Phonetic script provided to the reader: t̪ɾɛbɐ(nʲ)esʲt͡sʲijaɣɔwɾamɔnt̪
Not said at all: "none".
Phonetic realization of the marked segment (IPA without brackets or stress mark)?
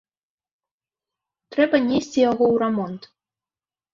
nʲ